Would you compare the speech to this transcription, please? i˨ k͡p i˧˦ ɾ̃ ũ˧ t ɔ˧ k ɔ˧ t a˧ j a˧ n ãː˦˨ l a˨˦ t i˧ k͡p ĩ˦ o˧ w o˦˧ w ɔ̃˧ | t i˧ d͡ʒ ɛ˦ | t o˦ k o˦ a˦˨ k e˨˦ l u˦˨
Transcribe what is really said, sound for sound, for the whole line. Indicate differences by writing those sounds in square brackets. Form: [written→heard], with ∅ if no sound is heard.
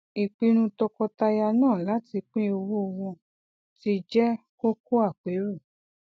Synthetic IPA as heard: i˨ k͡p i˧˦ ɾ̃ ũ˧ t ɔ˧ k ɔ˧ t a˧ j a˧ n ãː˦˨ l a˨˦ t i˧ k͡p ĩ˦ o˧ w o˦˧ w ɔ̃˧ | t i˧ d͡ʒ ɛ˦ | [t→k] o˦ k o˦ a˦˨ [k→k͡p] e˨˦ [l→ɾ] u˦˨

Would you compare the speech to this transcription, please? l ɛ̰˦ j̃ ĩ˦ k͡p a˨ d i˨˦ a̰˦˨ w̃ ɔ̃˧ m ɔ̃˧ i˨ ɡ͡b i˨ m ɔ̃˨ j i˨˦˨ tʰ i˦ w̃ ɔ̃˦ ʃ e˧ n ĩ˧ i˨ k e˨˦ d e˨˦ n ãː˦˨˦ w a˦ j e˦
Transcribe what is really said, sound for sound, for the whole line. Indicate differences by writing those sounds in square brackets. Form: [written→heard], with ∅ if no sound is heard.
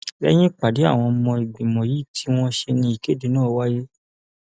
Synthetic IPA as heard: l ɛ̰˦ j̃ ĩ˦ k͡p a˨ d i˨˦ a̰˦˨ w̃ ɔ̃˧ m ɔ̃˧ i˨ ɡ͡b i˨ m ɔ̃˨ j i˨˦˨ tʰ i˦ w̃ ɔ̃˦ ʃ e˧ n ĩ˧ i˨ k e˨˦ d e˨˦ n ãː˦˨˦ w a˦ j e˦

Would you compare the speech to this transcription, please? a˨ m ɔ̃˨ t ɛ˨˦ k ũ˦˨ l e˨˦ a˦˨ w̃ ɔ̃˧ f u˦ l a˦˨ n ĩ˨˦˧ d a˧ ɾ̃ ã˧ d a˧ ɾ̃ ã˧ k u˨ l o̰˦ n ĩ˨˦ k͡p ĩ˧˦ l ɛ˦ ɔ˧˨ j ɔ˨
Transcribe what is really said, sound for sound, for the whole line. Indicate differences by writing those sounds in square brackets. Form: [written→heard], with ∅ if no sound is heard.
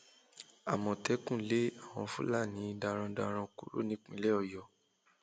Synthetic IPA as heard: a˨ m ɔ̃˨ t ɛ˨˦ k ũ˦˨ l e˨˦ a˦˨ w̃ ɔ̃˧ f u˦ l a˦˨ n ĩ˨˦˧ d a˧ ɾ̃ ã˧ d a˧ ɾ̃ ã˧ k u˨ [l→ɾ] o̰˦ n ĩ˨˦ k͡p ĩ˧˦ l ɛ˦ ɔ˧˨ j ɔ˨

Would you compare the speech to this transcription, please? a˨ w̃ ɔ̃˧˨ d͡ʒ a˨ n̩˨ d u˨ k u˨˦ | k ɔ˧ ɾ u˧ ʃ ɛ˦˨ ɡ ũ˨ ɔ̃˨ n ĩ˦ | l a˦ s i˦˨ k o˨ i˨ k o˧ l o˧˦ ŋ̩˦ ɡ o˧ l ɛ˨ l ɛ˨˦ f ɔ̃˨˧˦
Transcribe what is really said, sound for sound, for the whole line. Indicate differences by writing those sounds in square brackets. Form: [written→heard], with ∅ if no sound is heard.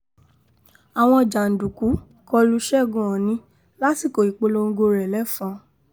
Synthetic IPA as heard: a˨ w̃ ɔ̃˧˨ d͡ʒ a˨ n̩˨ d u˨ k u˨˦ | k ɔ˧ [ɾ→l] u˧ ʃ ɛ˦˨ ɡ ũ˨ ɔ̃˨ n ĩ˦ | l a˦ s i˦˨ k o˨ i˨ [k→k͡p] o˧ l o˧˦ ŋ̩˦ ɡ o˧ [l→ɾ] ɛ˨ l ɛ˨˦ f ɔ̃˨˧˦

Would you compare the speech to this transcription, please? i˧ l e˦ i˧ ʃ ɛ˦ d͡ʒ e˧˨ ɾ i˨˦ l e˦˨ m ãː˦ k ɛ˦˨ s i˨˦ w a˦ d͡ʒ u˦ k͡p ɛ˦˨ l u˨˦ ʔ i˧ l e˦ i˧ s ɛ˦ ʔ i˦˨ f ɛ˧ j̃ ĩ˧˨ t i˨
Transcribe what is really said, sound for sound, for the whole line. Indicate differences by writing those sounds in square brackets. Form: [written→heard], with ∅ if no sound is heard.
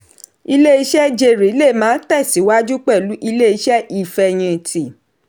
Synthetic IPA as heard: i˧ l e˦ i˧ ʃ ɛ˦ d͡ʒ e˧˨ ɾ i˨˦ l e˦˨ m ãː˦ [k→t] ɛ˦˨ s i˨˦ w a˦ d͡ʒ u˦ k͡p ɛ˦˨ l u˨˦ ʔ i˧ l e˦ i˧ [s→ʃ] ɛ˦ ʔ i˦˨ f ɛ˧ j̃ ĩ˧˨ t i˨

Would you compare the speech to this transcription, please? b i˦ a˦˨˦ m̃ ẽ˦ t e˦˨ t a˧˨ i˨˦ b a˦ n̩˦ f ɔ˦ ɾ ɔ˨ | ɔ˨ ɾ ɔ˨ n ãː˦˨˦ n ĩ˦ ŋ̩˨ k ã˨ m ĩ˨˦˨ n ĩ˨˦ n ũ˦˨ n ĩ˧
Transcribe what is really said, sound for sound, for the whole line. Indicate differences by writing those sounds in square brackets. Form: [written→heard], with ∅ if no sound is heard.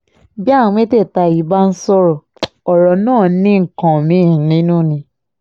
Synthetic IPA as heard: b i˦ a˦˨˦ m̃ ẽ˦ t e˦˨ t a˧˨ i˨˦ b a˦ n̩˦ [f→s] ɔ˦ ɾ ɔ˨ | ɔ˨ ɾ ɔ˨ n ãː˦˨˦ n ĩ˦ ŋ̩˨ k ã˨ m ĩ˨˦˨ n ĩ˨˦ n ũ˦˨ n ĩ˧

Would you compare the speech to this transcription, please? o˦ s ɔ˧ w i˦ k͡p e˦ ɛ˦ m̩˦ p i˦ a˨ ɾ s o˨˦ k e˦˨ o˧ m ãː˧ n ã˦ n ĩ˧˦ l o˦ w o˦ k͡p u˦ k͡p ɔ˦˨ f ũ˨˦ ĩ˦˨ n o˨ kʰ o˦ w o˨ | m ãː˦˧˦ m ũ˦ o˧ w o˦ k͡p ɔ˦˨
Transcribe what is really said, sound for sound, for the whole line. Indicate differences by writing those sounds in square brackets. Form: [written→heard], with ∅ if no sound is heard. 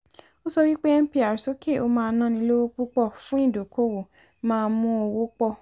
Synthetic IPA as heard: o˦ s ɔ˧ w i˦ k͡p e˦ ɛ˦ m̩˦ p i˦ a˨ ɾ s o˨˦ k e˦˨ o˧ m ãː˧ n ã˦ n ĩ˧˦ l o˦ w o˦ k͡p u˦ k͡p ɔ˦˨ f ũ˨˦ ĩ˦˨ [n→d] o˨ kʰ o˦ w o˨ | m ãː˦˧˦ m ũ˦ o˧ w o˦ k͡p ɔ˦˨

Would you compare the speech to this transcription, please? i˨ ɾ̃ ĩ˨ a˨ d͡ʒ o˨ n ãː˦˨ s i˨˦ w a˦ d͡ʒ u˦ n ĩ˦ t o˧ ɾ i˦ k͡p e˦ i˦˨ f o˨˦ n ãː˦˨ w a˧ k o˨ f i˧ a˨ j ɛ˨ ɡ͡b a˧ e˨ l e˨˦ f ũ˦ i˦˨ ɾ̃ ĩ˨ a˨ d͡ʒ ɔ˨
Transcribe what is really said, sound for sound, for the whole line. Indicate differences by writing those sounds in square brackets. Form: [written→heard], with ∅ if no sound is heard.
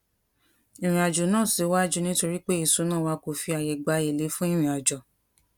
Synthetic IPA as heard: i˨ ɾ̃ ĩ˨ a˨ d͡ʒ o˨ n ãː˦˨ s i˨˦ w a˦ d͡ʒ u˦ n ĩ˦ t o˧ ɾ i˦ k͡p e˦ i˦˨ [f→s] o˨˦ n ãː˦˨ w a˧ k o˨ f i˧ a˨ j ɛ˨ ɡ͡b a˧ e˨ l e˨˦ f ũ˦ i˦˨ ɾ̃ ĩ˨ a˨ d͡ʒ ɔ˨

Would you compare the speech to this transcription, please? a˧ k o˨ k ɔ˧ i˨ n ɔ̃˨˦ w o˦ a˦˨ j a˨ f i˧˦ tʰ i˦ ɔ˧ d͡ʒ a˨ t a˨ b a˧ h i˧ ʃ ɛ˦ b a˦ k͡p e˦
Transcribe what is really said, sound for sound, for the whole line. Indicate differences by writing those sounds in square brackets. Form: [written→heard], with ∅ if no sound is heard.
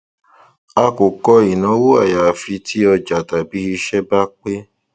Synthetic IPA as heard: a˧ k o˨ k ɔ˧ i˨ n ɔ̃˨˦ w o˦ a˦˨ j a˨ f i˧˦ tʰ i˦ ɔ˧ d͡ʒ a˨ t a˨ b [a˧→i˧] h i˧ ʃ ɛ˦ b a˦ k͡p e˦

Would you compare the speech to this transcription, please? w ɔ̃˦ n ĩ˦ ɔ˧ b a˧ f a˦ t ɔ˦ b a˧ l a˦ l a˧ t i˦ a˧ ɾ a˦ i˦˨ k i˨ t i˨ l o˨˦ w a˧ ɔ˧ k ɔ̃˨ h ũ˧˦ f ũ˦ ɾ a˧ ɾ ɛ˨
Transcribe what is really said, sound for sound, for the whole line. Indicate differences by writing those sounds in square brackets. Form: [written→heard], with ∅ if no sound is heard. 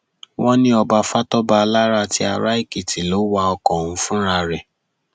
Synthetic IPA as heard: w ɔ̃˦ n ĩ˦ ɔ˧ b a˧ f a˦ t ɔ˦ b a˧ l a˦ [l→ɾ] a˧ t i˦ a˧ ɾ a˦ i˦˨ k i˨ t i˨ l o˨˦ w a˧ ɔ˧ k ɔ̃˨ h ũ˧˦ f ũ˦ ɾ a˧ ɾ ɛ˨

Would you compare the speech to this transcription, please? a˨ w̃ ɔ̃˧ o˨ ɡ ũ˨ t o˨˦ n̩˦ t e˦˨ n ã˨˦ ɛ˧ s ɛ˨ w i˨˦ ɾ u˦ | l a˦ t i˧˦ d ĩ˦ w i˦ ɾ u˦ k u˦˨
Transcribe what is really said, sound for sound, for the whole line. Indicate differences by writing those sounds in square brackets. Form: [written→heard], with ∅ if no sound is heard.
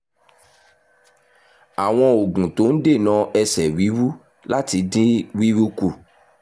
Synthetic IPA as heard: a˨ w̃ ɔ̃˧ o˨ ɡ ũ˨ t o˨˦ n̩˦ [t→d] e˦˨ n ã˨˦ ɛ˧ s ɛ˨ w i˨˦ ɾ u˦ | l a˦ t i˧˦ d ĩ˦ w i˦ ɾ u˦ k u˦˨

